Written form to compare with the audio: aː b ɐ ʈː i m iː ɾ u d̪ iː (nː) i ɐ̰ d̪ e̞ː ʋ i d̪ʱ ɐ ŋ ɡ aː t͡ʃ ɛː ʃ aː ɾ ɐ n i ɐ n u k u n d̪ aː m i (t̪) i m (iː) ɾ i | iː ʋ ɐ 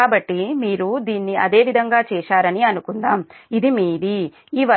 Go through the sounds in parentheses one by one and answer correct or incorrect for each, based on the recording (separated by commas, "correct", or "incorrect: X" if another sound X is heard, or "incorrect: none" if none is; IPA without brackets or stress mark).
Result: correct, incorrect: d̪, correct